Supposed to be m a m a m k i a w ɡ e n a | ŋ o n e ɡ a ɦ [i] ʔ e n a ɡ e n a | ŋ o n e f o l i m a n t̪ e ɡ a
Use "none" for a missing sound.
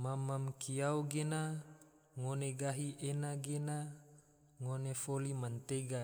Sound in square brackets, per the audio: i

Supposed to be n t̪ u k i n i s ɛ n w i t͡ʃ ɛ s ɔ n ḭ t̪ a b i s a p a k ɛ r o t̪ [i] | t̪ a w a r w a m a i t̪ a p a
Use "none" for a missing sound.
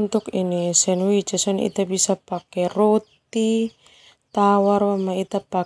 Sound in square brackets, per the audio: i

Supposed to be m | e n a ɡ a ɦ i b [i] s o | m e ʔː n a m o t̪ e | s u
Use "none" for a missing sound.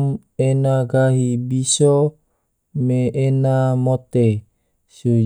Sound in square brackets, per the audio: i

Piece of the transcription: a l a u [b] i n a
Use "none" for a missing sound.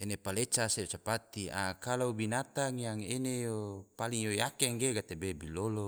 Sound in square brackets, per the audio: b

